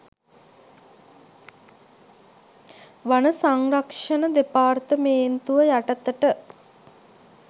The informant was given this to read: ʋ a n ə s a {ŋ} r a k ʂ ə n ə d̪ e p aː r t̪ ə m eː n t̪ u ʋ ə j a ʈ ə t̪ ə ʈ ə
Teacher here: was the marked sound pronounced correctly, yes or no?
yes